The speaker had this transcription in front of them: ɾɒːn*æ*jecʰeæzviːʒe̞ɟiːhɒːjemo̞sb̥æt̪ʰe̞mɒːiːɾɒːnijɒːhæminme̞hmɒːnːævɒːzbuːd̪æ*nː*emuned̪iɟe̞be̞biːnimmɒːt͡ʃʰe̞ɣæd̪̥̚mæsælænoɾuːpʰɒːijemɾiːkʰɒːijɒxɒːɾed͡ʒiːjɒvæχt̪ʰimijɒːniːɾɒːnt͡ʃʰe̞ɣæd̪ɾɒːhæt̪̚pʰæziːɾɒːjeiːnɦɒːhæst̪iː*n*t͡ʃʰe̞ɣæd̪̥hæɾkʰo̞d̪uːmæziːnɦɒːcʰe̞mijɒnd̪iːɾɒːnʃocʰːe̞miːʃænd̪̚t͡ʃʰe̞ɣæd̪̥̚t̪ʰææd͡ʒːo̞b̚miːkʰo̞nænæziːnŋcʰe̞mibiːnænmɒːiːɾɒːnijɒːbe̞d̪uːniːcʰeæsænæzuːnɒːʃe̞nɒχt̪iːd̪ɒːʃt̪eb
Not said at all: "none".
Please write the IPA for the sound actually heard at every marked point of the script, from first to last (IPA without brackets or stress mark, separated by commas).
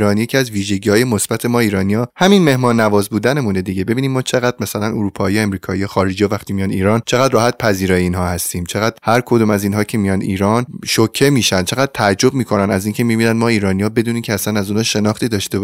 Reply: i, n, m